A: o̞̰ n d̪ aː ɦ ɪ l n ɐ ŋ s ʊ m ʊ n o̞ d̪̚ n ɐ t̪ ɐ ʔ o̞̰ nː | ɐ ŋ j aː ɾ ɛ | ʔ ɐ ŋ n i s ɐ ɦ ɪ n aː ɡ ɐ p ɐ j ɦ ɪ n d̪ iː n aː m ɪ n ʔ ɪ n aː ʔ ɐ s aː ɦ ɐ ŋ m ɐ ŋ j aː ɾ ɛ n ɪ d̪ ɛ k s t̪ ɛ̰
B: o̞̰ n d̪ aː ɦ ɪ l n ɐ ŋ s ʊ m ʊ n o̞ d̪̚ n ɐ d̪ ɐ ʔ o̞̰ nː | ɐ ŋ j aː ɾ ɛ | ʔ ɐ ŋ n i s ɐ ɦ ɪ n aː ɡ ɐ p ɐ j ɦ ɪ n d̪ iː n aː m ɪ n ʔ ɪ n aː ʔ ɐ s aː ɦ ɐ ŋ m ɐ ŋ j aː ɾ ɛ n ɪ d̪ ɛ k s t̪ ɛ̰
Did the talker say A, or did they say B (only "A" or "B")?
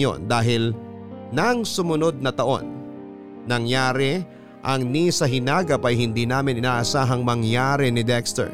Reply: A